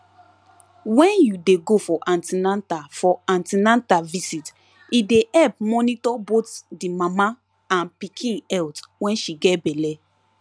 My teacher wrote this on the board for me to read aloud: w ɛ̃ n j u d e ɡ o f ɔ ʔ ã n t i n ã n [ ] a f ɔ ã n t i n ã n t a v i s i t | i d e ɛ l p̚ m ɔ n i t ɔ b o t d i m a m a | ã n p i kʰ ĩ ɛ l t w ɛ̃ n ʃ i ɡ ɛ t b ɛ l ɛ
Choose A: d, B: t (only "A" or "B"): B